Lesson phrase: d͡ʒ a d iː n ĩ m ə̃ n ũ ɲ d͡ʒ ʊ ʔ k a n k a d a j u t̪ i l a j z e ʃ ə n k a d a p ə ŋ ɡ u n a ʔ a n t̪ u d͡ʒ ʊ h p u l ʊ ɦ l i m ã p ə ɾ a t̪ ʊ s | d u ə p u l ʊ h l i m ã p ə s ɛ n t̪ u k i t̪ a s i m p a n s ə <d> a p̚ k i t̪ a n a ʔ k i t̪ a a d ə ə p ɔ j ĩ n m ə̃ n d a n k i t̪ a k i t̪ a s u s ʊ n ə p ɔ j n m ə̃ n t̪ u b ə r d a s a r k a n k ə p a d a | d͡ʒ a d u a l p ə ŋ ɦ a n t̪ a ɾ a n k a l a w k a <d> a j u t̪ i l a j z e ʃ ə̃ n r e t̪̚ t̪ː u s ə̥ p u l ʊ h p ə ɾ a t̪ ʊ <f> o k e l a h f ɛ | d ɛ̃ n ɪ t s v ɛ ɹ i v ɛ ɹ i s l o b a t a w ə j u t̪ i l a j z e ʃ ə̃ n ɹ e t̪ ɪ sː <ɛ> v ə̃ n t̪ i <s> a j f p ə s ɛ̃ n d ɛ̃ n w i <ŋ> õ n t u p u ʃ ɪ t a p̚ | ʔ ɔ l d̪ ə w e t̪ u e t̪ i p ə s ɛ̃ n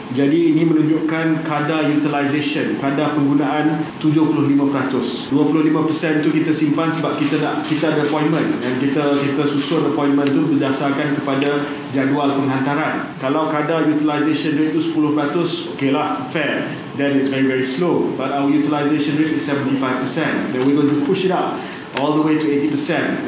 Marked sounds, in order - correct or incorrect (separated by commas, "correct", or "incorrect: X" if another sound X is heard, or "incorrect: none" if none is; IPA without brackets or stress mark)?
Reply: incorrect: b, correct, incorrect: s, correct, incorrect: f, incorrect: ɡ